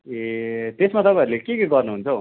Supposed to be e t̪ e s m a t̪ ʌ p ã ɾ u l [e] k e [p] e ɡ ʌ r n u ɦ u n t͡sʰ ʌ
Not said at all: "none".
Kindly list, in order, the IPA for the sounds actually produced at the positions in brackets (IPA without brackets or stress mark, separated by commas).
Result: e, k